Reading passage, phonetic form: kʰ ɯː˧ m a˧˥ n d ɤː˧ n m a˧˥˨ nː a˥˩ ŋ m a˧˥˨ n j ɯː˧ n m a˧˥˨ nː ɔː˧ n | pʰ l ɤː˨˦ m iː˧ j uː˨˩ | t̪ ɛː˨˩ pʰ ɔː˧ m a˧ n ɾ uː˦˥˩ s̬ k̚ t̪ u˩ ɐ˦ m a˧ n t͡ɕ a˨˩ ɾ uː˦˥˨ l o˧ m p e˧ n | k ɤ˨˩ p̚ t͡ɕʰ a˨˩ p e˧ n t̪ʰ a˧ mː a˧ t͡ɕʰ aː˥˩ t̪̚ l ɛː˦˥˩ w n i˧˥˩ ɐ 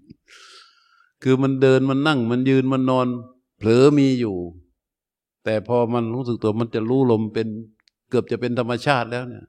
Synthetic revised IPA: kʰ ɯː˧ m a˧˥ n d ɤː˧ n m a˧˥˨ nː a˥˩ ŋ m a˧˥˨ n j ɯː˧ n m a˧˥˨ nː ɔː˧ n | pʰ l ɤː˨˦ m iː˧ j uː˨˩ | t̪ ɛː˨˩ pʰ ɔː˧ m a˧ n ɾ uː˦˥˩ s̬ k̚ t̪ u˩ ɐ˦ m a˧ n t͡ɕ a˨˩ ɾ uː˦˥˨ l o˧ m p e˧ n | k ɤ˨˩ p̚ t͡ɕ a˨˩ p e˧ n t̪ʰ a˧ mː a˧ t͡ɕʰ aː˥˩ t̪̚ l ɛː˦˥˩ w n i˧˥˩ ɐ